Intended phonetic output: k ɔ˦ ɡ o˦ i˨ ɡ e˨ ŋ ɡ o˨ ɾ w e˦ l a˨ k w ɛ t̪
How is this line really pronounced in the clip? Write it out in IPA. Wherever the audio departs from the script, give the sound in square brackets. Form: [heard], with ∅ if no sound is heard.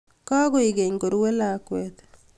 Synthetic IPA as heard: k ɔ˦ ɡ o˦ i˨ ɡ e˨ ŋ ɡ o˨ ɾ w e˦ l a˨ k w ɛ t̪